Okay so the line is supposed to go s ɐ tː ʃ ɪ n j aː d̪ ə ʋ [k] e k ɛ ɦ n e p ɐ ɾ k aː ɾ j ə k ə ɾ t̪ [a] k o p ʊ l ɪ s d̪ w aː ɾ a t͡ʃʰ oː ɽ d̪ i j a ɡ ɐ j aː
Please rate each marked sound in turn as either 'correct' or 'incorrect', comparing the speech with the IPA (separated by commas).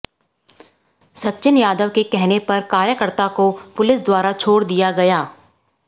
correct, correct